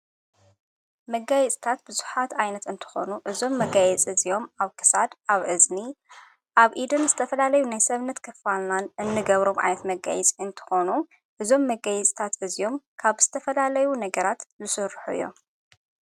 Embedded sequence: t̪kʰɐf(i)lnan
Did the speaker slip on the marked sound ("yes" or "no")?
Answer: yes